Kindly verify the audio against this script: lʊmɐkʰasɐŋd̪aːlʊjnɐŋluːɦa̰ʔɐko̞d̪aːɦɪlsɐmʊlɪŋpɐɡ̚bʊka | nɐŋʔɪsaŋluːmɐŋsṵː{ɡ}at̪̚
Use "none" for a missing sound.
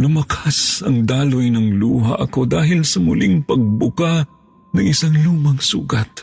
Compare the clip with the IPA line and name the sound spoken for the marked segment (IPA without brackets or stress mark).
ɡ